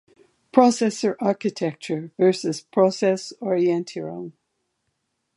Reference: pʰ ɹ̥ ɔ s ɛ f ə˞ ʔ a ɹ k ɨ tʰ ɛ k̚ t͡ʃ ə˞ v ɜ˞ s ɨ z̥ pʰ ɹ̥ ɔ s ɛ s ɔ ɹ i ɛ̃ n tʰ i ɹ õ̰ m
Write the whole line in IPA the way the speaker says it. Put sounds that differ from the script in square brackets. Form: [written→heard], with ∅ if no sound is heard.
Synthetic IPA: pʰ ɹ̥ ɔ s ɛ [f→s] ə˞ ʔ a ɹ k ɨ tʰ ɛ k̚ t͡ʃ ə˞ v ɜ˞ s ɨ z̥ pʰ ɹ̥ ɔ s ɛ s ɔ ɹ i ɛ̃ n tʰ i ɹ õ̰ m

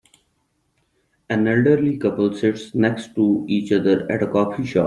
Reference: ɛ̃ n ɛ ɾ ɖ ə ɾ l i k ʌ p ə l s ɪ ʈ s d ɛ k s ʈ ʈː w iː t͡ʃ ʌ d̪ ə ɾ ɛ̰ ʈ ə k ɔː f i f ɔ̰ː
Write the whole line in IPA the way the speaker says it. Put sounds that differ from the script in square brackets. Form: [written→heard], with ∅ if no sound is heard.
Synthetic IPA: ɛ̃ n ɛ [ɾ→l] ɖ ə ɾ l i k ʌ p ə l s ɪ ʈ s [d→n] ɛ k s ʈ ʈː [w→u] iː t͡ʃ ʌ d̪ ə ɾ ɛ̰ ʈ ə k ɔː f i [f→ʃ] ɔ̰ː

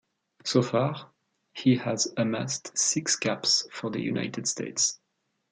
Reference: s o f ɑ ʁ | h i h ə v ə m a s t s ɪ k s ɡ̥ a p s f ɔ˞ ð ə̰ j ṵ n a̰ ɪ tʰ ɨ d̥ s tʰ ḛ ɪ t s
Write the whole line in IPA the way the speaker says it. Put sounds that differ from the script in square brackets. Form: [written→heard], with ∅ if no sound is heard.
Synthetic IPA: s o f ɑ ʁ | h i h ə [v→z] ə m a s t s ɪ k s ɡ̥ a p s f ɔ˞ ð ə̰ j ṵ n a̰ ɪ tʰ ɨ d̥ s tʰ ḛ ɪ t s

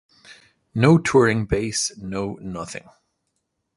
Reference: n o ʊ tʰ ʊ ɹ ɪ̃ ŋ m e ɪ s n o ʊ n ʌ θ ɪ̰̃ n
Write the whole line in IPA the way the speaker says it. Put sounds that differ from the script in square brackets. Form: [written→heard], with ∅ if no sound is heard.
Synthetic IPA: n o ʊ tʰ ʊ ɹ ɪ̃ ŋ [m→b] e ɪ s n o ʊ n ʌ θ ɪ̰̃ [n→ŋ]

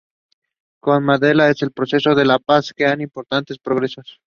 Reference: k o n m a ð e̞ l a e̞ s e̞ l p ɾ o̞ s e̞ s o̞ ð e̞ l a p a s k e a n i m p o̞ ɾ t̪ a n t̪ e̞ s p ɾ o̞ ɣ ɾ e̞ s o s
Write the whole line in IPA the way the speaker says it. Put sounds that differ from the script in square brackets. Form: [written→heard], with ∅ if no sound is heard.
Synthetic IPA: k o n m a ð e̞ l a e̞ s e̞ l p ɾ o̞ s e̞ s o̞ ð e̞ l a p a s k e a n i m p o̞ ɾ t̪ a n t̪ e̞ s p ɾ o̞ ɣ ɾ e̞ s o s

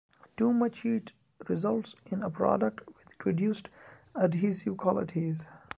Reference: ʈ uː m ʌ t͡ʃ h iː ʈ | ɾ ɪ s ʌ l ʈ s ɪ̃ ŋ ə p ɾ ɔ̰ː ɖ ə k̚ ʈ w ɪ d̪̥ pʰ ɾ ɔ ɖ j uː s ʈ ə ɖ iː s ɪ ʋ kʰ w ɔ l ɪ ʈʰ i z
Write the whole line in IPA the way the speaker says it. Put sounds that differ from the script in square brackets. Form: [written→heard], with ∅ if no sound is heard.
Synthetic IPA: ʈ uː m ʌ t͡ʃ h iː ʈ | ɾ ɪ [s→z] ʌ l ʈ s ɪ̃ [ŋ→n] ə p ɾ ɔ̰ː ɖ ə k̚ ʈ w ɪ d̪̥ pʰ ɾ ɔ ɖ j uː s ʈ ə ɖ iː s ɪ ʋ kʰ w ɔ l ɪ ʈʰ i z

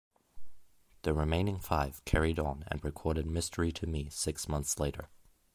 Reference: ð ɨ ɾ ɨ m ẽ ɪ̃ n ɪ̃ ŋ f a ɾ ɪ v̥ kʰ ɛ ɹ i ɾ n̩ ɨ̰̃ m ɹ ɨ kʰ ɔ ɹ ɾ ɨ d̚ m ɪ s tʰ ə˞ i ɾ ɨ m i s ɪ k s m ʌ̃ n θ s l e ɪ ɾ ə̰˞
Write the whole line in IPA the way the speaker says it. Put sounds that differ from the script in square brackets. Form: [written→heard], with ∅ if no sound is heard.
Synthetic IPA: ð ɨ [ɾ→ɹ] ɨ m ẽ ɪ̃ n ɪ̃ ŋ f a [ɾ→∅] ɪ v̥ kʰ ɛ ɹ i ɾ n̩ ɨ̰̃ [m→n] ɹ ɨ kʰ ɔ ɹ ɾ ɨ d̚ m ɪ s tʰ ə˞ i ɾ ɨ m i s ɪ k s m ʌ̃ n θ s l e ɪ ɾ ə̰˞

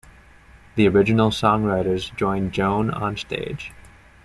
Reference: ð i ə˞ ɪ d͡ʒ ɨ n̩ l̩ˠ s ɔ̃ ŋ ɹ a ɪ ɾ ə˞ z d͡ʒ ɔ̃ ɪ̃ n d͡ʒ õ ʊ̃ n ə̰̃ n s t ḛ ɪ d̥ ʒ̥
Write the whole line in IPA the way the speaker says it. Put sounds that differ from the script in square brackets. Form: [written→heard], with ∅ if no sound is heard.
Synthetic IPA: ð i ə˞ ɪ d͡ʒ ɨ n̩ l̩ˠ s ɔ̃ ŋ ɹ a ɪ ɾ ə˞ z d͡ʒ ɔ̃ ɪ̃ n d͡ʒ õ ʊ̃ n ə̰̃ n s t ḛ ɪ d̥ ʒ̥

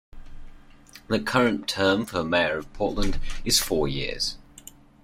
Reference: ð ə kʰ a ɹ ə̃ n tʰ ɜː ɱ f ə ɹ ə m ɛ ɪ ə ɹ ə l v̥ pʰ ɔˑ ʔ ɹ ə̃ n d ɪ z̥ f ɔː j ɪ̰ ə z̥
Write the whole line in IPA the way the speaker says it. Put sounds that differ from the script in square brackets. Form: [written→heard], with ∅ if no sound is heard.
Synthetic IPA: ð ə kʰ [a→ʌ] ɹ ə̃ n tʰ ɜː ɱ f ə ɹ ə m ɛ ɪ ə ɹ ə [l→∅] v̥ pʰ ɔˑ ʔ [ɹ→l] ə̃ n d ɪ z̥ f ɔː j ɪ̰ ə z̥

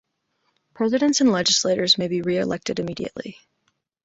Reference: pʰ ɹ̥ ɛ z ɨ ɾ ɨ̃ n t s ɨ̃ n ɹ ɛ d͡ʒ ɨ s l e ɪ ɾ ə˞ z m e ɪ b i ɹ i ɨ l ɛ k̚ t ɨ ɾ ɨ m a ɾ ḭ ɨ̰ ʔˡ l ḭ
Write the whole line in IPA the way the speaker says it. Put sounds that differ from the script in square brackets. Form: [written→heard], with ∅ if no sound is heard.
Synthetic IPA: pʰ ɹ̥ ɛ z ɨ ɾ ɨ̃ n t s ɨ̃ n [ɹ→l] ɛ d͡ʒ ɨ s l e ɪ ɾ ə˞ z m e ɪ b i ɹ i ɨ l ɛ k̚ t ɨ ɾ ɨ m [a→i] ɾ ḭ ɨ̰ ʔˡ l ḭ

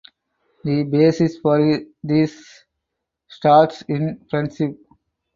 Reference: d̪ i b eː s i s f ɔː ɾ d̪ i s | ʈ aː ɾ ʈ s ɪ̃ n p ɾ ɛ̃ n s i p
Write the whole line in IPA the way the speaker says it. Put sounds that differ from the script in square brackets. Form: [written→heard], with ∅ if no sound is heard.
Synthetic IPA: d̪ i b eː s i s f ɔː ɾ d̪ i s | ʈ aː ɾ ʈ s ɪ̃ n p ɾ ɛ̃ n s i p

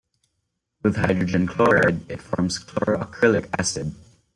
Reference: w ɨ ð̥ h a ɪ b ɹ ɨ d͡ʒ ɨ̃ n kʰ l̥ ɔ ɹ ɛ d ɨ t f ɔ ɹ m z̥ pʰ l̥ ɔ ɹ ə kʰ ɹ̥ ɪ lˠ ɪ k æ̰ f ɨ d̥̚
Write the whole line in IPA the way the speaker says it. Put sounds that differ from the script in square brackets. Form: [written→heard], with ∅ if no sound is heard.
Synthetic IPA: w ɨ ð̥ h a ɪ [b→d] ɹ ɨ d͡ʒ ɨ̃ n kʰ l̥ ɔ ɹ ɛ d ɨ t f ɔ ɹ m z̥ [pʰ→kʰ] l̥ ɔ ɹ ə kʰ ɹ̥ ɪ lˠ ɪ k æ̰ [f→s] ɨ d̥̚

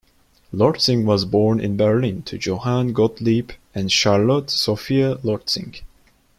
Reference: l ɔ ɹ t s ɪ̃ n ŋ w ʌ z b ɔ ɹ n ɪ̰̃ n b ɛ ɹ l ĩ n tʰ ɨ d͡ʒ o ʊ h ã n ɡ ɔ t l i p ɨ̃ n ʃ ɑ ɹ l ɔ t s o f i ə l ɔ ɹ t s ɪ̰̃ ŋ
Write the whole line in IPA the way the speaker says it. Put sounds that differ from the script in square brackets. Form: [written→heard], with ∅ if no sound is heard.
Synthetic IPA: l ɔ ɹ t s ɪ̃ [n→∅] ŋ w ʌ z b ɔ ɹ n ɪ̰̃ n b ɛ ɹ l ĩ n tʰ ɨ d͡ʒ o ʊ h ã n ɡ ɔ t l i p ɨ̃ n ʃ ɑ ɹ l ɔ t s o f i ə l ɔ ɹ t s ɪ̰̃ ŋ

